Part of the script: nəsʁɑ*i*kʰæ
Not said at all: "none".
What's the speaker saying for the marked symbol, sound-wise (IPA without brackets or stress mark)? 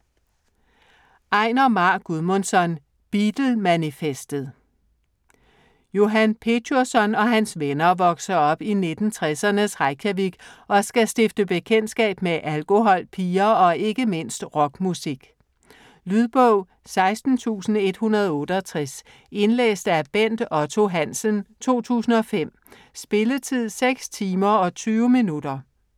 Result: ɪ